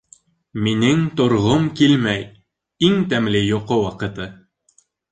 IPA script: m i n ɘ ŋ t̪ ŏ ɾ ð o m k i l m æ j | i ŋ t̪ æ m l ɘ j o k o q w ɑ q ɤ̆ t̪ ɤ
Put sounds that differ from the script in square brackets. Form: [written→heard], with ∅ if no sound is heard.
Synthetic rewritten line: m i n ɘ ŋ t̪ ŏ ɾ [ð→ʁ] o m k i l m æ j | i ŋ t̪ æ m l ɘ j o [k→q] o [q→∅] w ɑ q ɤ̆ t̪ ɤ

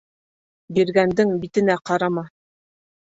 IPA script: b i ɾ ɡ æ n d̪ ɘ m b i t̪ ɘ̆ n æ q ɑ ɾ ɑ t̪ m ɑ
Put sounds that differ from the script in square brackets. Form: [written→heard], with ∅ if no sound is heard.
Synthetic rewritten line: b i ɾ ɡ æ n d̪ ɘ [m→ŋ] b i t̪ ɘ̆ n æ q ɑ ɾ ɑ [t̪→∅] m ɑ

